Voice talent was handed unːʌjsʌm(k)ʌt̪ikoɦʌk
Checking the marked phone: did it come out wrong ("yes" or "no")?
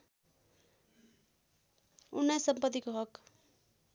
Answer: yes